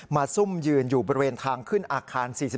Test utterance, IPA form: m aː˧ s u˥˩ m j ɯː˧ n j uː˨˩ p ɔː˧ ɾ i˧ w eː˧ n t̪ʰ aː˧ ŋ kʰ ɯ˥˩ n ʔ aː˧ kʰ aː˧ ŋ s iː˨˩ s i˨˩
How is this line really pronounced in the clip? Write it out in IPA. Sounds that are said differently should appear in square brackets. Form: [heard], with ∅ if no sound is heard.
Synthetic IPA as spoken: m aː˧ s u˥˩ m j ɯː˧ n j uː˨˩ [b] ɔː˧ ɾ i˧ w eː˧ n t̪ʰ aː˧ ŋ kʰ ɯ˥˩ n ʔ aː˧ kʰ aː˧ [n] s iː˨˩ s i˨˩